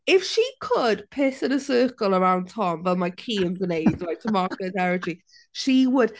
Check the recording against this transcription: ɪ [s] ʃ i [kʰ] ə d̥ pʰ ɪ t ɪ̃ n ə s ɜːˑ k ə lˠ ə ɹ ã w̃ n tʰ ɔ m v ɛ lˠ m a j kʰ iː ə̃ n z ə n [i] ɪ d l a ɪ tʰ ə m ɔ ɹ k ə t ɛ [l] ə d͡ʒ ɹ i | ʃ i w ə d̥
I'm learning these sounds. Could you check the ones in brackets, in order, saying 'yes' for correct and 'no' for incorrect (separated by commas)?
no, yes, no, no